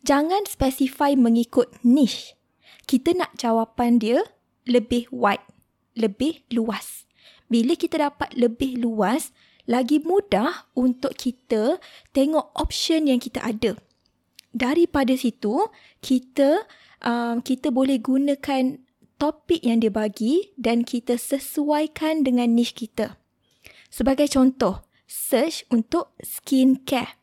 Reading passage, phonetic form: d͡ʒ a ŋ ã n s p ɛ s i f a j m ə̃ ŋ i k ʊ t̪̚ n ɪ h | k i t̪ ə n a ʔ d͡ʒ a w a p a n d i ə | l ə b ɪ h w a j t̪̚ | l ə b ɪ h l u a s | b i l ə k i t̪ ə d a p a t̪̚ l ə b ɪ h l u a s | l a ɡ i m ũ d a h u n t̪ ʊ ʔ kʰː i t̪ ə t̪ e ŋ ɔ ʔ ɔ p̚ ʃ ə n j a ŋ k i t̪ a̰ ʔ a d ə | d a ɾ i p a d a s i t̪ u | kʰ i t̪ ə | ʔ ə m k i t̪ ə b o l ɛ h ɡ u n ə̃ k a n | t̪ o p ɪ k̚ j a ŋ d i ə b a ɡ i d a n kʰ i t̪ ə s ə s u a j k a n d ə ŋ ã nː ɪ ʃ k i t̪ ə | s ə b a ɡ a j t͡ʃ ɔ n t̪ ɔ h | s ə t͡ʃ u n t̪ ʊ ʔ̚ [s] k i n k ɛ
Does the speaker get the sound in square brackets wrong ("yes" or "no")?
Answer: no